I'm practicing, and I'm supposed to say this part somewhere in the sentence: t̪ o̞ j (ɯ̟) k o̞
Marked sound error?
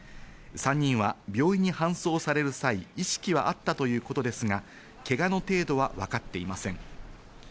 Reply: yes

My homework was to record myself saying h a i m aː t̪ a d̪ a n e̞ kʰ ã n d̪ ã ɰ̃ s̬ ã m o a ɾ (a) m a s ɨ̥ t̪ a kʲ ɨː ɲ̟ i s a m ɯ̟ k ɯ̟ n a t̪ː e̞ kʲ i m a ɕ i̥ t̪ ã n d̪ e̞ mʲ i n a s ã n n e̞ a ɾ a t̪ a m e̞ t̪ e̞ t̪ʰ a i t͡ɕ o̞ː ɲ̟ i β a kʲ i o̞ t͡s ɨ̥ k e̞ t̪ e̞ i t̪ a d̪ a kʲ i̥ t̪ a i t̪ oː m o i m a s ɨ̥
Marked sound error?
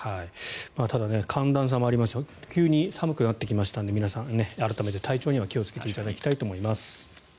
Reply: yes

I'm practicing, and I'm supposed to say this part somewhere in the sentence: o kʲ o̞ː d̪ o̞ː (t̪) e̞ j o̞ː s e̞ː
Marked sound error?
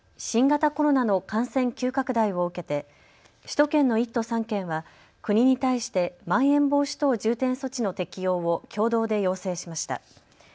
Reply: yes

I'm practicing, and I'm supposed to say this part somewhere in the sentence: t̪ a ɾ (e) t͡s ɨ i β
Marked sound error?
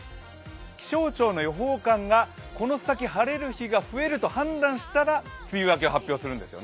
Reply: yes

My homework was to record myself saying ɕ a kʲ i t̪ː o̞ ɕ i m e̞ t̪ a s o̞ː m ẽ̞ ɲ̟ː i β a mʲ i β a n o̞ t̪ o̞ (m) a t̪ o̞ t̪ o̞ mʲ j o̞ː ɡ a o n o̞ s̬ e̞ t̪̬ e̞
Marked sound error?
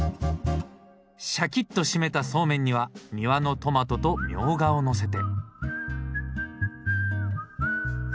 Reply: no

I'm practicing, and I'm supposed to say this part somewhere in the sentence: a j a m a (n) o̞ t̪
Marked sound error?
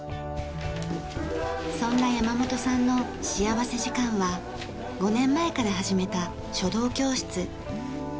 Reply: yes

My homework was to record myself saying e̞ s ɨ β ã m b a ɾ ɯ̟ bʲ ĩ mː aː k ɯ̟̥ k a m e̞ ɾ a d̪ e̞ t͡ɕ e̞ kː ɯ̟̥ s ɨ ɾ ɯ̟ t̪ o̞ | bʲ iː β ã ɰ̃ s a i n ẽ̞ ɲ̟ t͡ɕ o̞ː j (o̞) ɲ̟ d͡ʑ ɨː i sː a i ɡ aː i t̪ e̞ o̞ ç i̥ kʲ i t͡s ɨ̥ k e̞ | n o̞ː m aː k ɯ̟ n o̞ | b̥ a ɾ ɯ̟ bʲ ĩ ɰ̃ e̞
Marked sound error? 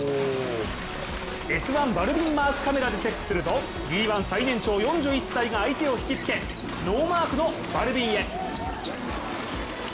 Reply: yes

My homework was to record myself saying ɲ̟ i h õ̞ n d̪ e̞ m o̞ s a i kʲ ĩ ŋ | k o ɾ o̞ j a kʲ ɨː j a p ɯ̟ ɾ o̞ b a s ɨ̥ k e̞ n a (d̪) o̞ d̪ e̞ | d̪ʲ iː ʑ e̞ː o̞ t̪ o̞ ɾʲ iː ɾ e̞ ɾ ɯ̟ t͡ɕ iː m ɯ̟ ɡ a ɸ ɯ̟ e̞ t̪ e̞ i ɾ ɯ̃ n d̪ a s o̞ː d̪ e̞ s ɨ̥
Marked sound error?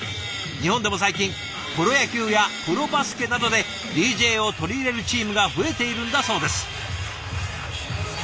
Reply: no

